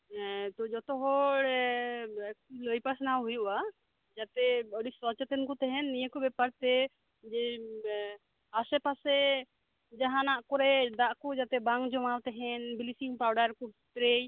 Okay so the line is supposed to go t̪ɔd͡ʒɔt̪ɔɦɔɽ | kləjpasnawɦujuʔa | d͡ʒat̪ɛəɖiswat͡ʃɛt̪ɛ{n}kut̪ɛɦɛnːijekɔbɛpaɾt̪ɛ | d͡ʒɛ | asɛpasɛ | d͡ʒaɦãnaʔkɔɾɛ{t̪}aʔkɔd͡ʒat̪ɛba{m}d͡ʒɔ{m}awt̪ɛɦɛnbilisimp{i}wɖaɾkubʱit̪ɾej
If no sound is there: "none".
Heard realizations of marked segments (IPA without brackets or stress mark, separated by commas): n, d̪, ŋ, m, a